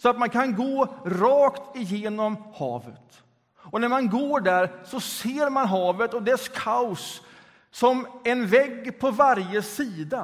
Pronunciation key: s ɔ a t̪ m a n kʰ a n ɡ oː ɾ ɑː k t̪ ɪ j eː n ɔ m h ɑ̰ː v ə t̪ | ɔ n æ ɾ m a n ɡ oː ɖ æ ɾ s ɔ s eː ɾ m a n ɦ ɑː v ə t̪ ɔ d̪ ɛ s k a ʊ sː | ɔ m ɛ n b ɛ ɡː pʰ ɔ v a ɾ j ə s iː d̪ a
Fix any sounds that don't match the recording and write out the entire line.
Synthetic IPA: s ɔ a t̪ m a n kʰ a n ɡ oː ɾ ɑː k t̪ ɪ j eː n ɔ m h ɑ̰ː v ə t̪ | ɔ n æ ɾ m a n ɡ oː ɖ æ ɾ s ɔ s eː ɾ m a n ɦ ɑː v ə t̪ ɔ d̪ ɛ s kʰ a ʊ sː | ɔ m ɛ n v ɛ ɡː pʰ ɔ v a ɾ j ə s iː d̪ a